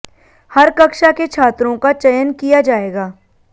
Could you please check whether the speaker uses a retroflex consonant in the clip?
no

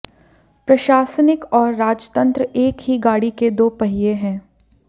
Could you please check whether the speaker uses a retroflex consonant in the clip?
yes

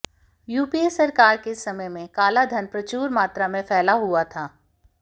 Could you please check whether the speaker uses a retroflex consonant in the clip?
no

